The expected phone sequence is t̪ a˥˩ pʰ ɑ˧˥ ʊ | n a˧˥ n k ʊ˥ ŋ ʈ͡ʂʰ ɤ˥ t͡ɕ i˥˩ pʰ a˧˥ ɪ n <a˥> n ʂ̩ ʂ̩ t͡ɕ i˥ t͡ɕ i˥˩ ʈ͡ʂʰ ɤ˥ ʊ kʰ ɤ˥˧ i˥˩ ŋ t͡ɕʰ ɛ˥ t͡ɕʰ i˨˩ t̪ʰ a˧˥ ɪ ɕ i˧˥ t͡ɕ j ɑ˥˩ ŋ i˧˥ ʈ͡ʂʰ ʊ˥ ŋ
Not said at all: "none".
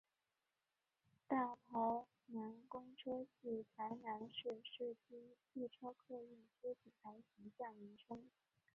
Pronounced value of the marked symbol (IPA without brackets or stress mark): a˧˥